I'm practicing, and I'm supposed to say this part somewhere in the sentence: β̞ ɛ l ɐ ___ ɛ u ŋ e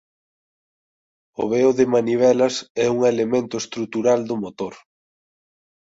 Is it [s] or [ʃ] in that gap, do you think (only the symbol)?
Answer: s